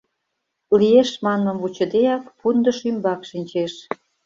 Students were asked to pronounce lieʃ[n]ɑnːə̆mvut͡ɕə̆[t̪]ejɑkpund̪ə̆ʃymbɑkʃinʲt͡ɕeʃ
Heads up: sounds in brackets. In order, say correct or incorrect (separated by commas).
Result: incorrect, incorrect